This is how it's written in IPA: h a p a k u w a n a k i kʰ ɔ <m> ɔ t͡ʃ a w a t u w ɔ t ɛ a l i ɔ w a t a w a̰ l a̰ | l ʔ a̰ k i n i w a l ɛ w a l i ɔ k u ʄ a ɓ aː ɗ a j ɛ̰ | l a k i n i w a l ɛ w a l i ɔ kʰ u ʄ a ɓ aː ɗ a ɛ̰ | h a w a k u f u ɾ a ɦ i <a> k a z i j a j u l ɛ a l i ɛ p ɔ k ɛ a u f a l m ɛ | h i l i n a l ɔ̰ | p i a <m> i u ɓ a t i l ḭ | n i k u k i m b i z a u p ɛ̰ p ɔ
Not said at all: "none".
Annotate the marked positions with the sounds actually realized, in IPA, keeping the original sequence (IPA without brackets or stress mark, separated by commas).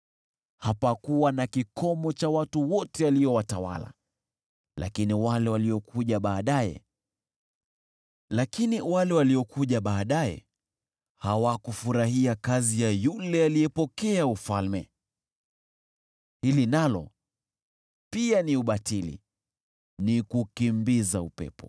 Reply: m, a, n